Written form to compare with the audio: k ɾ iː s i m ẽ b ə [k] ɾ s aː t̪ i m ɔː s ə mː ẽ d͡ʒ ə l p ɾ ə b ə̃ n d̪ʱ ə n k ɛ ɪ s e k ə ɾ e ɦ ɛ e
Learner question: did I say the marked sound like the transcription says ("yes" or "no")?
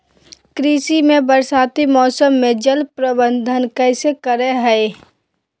no